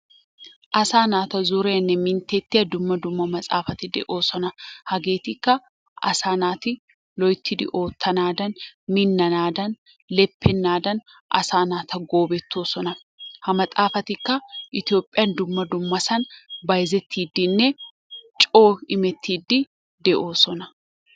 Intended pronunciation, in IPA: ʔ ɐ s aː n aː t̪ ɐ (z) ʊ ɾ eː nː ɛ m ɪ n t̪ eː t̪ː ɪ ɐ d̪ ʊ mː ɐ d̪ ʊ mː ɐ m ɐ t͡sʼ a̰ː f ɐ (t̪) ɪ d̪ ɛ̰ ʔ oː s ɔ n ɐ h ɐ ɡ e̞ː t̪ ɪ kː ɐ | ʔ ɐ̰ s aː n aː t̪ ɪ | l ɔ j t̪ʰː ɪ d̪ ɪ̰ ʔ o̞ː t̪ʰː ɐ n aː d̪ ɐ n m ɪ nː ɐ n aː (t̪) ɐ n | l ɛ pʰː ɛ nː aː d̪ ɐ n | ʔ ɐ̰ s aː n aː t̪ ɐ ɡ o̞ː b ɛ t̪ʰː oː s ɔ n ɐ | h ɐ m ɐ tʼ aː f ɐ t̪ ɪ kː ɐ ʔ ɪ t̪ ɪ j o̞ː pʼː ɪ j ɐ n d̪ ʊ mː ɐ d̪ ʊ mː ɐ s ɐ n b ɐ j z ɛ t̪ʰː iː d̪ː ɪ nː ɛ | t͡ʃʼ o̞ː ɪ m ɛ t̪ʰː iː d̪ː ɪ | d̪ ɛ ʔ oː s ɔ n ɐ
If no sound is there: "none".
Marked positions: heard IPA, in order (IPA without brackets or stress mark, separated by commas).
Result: z, t̪, d̪